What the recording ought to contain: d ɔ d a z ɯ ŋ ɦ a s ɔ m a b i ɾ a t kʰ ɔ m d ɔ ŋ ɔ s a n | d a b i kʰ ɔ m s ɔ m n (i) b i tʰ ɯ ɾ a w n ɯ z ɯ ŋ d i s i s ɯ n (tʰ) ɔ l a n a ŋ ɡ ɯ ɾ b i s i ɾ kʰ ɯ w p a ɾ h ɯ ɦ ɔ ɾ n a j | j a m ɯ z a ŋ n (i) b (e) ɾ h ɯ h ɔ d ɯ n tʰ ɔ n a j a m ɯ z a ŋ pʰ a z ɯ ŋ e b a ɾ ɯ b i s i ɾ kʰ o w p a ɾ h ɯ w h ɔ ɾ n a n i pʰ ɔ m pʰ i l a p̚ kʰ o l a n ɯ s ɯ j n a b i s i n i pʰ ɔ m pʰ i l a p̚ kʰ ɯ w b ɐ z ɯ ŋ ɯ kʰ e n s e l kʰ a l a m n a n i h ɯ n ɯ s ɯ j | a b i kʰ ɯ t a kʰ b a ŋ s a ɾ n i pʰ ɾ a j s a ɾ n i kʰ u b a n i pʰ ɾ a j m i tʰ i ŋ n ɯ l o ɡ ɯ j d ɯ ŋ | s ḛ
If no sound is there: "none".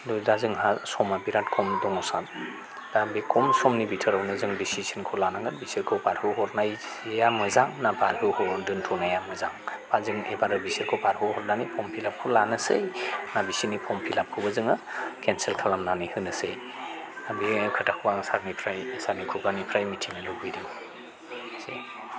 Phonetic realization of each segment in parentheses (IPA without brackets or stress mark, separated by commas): i, kʰ, a, a